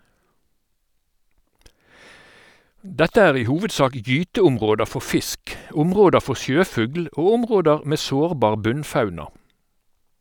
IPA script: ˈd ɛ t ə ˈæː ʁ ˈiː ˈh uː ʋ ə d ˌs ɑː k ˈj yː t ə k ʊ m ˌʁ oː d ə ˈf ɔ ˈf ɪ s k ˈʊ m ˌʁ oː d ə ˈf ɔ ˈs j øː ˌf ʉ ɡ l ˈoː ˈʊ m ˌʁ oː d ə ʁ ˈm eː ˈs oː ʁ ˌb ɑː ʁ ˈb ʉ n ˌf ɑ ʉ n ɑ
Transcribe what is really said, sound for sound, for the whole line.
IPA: ˈd ɛ t ə ˈæː ʁ ˈiː ˈh uː ʋ ə d ˌs ɑː k ˈj yː t ə ʊ m ˌʁ oː d ə ˈf ɔ ˈf ɪ s k ˈʊ m ˌʁ oː d ə ˈf ɔ ˈs j øː ˌf ʉ ɡ l ˈoː ˈʊ m ˌʁ oː d ə ʁ ˈm eː ˈs oː ʁ ˌb ɑː ʁ ˈb ʉ n ˌf ɑ ʉ n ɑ